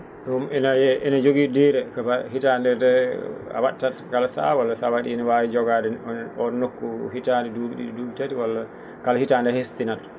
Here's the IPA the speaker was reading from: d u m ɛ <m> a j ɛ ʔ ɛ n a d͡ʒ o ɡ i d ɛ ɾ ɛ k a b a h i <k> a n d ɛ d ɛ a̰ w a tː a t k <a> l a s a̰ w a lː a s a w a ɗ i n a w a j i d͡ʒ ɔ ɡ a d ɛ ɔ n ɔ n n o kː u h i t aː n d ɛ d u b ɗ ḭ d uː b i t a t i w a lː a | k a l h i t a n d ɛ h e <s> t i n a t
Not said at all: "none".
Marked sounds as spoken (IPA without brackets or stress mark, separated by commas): n, t, a, s